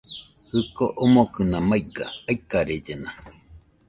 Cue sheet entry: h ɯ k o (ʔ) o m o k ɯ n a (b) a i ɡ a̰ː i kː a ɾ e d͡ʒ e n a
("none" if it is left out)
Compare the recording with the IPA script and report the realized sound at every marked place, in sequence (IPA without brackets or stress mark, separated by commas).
ʔ, m